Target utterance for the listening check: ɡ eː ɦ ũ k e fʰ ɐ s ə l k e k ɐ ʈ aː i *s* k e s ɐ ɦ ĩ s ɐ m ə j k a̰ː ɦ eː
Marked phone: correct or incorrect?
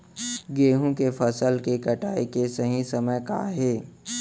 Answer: incorrect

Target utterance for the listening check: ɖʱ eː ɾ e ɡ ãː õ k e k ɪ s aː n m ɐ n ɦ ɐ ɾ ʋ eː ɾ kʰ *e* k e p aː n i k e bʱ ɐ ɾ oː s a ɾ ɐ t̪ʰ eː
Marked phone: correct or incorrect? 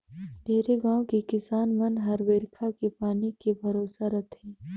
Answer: incorrect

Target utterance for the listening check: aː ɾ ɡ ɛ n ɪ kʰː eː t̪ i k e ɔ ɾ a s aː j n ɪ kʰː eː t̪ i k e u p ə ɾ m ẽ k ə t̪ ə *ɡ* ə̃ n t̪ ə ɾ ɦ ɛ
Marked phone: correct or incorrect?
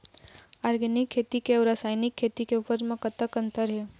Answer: incorrect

